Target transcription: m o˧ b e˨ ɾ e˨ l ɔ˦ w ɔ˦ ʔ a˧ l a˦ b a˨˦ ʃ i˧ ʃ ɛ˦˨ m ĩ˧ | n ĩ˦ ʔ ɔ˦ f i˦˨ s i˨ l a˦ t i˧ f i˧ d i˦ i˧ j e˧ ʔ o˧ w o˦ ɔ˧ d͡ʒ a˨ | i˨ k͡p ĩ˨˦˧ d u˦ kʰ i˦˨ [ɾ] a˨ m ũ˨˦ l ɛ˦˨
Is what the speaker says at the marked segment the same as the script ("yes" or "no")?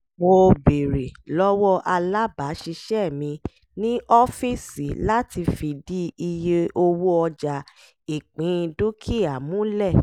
no